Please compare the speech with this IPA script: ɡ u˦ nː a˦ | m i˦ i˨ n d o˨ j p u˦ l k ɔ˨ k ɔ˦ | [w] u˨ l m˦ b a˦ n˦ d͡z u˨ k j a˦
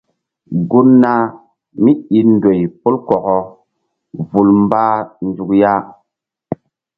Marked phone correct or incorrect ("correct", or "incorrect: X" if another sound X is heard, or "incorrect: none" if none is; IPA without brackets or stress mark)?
incorrect: v